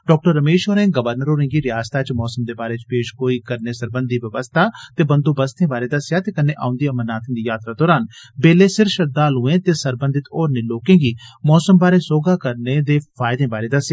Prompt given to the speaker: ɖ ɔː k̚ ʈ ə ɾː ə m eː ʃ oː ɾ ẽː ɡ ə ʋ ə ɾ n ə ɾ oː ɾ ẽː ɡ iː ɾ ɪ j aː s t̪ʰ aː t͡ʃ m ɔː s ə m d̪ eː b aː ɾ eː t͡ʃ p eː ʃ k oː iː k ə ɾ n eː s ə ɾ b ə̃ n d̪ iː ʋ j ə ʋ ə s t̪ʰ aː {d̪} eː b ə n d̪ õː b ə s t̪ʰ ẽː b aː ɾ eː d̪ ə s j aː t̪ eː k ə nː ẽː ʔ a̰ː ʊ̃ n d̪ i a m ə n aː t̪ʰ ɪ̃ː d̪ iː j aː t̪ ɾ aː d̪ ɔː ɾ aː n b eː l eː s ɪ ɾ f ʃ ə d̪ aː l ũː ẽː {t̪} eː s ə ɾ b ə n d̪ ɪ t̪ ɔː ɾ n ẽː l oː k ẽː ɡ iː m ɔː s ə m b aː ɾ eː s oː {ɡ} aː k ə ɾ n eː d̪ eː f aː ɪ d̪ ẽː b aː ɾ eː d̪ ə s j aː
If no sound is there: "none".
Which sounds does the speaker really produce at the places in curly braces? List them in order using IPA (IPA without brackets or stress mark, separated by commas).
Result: t̪, t̪, ɡ